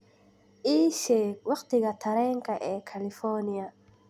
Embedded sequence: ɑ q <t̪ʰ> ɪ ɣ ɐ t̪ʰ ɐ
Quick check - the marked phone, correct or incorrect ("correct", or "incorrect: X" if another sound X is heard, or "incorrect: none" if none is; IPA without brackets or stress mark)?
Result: incorrect: t̪